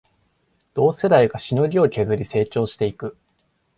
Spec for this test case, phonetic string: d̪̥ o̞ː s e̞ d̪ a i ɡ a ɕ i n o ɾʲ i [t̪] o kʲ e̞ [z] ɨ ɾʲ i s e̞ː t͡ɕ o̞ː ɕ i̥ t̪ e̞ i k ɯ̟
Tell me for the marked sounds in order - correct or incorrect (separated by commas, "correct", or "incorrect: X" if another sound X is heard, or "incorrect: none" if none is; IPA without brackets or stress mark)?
incorrect: none, correct